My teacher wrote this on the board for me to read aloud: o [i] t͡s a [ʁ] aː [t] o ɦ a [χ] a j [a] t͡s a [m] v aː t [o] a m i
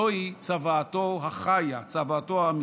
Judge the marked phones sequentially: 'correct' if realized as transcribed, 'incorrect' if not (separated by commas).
correct, incorrect, correct, correct, correct, incorrect, correct